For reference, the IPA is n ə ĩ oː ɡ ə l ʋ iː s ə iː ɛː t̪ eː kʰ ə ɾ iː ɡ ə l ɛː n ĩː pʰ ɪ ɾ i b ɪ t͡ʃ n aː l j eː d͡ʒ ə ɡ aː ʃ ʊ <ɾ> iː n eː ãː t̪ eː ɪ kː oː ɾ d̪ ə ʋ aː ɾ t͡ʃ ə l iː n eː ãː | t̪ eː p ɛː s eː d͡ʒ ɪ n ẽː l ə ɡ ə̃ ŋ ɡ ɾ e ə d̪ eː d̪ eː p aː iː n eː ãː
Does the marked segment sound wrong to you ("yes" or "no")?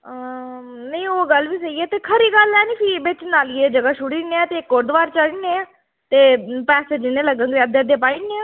yes